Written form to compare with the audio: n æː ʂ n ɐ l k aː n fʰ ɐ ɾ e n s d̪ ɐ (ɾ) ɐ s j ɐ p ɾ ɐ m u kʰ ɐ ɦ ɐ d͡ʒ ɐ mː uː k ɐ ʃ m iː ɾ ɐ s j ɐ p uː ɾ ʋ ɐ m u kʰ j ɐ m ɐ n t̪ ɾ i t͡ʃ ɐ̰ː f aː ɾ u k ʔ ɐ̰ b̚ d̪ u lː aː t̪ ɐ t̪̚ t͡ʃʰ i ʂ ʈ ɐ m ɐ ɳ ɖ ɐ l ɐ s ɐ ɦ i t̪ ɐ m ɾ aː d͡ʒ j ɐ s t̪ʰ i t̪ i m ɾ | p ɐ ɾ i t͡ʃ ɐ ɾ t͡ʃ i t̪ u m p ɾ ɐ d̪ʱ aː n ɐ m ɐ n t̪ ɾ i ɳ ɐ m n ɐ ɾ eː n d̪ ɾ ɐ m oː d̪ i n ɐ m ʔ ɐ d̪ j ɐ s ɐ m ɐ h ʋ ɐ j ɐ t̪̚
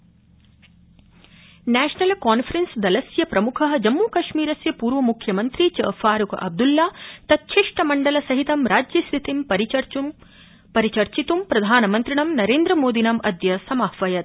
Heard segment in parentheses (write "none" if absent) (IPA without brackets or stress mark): l